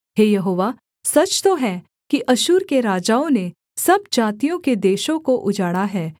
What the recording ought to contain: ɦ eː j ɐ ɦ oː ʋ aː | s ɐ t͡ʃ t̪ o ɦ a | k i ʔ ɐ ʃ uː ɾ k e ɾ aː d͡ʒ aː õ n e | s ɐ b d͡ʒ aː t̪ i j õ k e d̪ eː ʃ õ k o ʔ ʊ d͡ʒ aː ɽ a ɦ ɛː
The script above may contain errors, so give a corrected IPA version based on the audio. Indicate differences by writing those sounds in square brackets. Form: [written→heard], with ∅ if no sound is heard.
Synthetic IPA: ɦ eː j ɐ ɦ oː ʋ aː | s ɐ t͡ʃ t̪ o ɦ [a→ɛ] | k i ʔ ɐ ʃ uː ɾ k e ɾ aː d͡ʒ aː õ n e | s ɐ b d͡ʒ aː t̪ i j õ k e d̪ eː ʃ õ k o ʔ ʊ d͡ʒ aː ɽ a ɦ ɛː